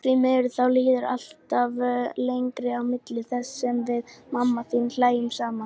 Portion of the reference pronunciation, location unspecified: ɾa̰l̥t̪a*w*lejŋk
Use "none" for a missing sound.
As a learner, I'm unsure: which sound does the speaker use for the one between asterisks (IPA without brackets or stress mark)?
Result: v